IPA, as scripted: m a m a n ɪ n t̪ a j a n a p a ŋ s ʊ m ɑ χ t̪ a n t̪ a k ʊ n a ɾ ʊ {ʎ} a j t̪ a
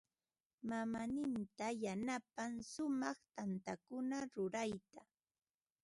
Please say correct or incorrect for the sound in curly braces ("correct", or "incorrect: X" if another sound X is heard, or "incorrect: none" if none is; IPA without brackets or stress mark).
incorrect: ɾ